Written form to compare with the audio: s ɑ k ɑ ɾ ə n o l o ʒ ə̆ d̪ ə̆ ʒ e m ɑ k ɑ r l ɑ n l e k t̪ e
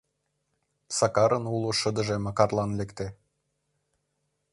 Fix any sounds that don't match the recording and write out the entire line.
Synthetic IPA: s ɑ k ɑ ɾ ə n u l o ʃ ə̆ d̪ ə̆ ʒ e m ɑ k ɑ r l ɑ n l e k t̪ e